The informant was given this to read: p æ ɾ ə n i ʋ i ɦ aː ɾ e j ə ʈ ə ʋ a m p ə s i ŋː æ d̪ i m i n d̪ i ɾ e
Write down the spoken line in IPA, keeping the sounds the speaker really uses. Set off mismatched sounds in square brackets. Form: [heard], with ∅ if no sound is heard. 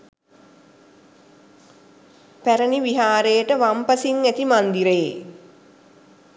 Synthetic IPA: p æ ɾ ə n i ʋ i ɦ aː ɾ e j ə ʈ ə ʋ a m p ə s i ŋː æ [t̪] i m [a] n d̪ i ɾ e